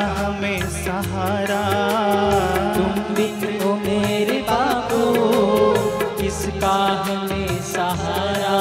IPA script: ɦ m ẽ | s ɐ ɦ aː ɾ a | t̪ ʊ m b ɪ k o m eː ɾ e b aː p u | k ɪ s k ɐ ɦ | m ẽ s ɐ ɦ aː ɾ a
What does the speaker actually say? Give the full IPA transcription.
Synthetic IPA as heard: ɦ m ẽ | s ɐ ɦ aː ɾ a | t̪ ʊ m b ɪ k o m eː ɾ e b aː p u | k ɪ s k a ɦ | m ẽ s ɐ ɦ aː ɾ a